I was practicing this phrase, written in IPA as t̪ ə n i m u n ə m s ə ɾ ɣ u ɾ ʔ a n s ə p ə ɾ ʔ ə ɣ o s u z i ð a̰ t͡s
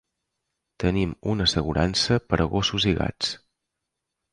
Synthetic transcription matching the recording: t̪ ə n i m u n ə s ə ɣ u ɾ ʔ a n s ə p ə ɾ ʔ ə ɣ o s u z i ɣ a̰ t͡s

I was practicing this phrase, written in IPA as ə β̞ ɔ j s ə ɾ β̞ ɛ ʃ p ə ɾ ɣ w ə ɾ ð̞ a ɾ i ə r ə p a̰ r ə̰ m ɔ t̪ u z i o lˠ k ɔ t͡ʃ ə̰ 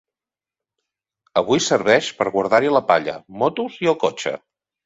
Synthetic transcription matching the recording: ə β̞ u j s ə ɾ β̞ ɛ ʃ p ə ɾ ɣ w ə ɾ ð̞ a ɾ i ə l ə p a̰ ʎ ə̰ m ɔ t̪ u z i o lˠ k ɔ t͡ʃ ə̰

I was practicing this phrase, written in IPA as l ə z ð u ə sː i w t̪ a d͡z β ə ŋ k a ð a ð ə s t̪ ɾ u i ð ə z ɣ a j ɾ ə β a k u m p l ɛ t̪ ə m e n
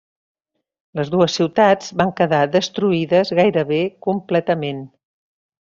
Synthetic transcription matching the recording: l ə z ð u ə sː i w t̪ a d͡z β a ŋ k ə ð a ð ə s t̪ ɾ u i ð ə z ɣ a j ɾ ə β e k u m p l ɛ t̪ ə m e n

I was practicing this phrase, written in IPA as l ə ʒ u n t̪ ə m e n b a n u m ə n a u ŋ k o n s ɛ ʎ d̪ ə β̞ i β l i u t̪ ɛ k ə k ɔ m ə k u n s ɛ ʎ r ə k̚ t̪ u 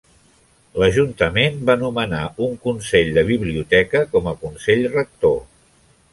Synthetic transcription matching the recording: l ə ʒ u n t̪ ə m e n b a n u m ə n a u ŋ k u n s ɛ ʎ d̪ ə β̞ i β l i u t̪ ɛ k ə k ɔ m ə k u n s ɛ ʎ r ə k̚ t̪ o

